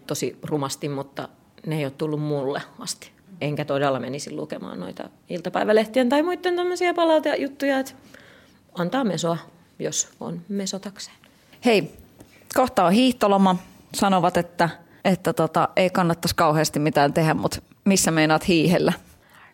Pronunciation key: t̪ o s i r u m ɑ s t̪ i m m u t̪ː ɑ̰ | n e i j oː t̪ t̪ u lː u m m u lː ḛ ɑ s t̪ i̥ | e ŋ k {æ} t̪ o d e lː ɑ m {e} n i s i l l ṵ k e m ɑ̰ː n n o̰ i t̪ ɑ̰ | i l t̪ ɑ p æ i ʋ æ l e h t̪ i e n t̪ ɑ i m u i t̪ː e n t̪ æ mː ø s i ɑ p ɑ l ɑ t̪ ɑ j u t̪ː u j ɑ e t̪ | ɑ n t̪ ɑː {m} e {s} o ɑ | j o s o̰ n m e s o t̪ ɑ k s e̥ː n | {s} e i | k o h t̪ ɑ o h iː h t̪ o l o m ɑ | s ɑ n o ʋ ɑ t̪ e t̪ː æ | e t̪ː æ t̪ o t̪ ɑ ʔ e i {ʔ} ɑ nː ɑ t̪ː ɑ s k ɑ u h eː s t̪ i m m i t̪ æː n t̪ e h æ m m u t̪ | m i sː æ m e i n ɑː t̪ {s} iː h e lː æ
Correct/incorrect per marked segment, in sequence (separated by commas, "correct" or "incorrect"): correct, correct, correct, correct, incorrect, incorrect, incorrect